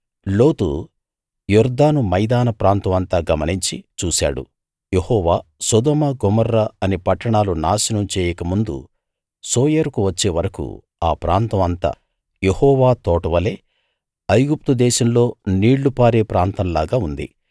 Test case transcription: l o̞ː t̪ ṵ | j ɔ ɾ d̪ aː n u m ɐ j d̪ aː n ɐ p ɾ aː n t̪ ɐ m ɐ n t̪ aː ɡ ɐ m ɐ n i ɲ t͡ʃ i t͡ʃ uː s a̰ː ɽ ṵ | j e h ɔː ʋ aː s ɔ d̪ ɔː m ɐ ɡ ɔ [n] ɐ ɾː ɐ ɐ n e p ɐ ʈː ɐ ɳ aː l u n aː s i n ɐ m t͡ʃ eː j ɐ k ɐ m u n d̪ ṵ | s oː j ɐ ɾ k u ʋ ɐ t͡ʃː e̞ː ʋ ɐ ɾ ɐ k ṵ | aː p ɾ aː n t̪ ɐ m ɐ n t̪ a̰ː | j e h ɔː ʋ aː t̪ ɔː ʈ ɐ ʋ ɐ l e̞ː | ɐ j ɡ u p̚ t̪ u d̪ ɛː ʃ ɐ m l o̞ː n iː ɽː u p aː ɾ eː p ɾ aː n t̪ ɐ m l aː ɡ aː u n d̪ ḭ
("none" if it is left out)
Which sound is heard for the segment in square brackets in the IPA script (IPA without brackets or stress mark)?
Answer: m